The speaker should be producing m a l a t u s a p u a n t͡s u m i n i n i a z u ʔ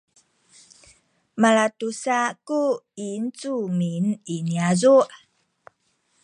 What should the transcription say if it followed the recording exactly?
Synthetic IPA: m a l a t u s a k u i n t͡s u m i n i n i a z u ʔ